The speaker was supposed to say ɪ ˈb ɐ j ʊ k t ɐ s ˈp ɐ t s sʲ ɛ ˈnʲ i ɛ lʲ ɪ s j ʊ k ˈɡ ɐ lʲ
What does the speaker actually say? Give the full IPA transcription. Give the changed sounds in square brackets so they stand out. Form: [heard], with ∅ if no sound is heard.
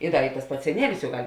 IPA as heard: ɪ [ˈd] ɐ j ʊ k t ɐ s ˈp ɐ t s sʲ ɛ ˈnʲ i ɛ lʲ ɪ s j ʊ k ˈɡ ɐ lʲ